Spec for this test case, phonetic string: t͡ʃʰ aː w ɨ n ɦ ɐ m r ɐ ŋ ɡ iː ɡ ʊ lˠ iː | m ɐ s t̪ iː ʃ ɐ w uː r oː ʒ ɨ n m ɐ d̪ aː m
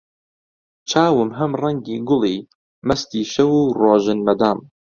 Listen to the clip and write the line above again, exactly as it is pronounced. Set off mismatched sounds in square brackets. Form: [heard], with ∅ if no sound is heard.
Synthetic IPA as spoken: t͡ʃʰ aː w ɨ [m] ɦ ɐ m r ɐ ŋ ɡ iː ɡ ʊ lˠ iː | m ɐ s t̪ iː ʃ ɐ w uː r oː ʒ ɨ n m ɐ d̪ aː m